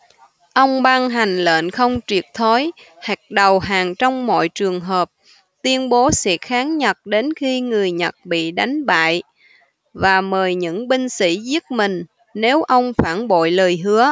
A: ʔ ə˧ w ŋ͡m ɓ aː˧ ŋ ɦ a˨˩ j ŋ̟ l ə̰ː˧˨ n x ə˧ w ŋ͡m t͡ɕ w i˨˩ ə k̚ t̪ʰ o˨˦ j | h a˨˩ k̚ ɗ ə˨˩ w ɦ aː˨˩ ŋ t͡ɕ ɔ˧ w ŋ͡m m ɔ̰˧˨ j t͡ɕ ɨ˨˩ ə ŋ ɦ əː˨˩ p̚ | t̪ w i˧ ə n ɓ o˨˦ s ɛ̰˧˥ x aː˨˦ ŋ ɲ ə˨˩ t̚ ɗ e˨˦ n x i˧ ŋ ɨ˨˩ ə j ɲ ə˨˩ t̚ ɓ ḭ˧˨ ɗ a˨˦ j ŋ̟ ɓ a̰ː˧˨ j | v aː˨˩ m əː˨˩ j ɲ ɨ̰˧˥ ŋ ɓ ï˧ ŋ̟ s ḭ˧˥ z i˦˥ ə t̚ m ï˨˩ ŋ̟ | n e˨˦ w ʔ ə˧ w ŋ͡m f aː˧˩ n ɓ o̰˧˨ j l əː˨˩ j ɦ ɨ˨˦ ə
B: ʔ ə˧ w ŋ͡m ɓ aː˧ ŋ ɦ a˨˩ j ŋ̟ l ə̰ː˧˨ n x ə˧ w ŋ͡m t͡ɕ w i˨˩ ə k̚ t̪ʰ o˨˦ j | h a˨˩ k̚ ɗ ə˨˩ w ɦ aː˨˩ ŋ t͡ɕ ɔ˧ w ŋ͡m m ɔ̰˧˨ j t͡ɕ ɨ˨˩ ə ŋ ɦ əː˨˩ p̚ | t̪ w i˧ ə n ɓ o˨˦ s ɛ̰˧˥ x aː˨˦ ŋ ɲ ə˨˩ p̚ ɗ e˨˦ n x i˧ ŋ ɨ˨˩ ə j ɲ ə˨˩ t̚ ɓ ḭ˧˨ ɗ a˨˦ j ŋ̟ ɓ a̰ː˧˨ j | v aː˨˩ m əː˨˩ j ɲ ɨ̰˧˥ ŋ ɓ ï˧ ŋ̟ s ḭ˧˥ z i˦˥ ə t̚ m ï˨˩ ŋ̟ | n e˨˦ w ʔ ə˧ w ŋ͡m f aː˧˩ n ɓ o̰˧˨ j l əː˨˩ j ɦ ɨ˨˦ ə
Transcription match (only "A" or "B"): A